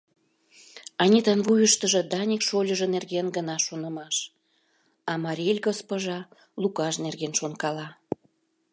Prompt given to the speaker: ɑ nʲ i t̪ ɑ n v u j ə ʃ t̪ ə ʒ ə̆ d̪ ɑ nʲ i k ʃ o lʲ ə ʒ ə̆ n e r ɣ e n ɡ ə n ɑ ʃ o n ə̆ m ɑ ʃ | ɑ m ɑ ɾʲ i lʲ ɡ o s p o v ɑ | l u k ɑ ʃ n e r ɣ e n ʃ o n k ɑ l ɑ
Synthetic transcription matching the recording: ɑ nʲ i t̪ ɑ n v u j ə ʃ t̪ ə ʒ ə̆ d̪ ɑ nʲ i k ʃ o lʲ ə ʒ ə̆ n e r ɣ e n ɡ ə n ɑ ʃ o n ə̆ m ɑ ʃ | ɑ m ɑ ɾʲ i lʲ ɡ o s p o ʒ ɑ | l u k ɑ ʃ n e r ɣ e n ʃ o n k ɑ l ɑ